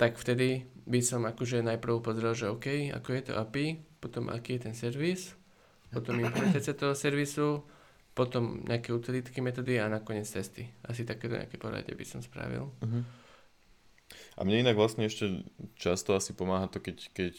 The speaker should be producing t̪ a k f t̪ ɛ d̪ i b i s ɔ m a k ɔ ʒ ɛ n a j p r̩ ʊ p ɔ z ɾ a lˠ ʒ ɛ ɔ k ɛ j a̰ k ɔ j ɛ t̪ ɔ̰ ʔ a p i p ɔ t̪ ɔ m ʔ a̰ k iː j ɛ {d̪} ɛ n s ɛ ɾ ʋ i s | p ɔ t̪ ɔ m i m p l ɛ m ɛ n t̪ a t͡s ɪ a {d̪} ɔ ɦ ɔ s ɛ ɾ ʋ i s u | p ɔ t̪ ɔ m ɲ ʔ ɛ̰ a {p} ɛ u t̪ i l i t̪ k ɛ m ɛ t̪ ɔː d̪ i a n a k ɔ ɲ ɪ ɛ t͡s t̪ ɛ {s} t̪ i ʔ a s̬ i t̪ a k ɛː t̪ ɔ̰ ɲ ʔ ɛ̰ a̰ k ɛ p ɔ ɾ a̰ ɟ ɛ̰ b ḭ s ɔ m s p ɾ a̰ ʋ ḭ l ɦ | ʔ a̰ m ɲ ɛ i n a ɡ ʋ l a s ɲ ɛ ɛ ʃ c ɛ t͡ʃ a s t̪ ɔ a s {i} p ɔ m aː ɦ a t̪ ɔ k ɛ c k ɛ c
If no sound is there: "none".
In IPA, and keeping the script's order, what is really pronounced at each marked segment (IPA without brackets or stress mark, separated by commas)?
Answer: t̪, t̪, k, s, i